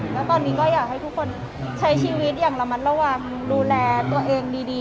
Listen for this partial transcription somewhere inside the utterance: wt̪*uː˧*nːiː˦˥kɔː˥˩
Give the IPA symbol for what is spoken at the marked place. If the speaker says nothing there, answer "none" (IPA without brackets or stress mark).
ɔː˧